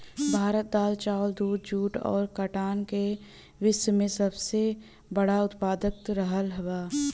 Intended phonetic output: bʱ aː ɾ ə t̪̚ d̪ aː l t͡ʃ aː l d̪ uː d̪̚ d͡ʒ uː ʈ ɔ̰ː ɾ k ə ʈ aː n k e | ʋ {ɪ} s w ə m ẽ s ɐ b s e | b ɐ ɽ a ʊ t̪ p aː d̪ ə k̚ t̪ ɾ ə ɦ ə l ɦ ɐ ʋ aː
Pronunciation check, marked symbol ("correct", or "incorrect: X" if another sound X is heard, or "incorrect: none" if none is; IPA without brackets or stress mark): correct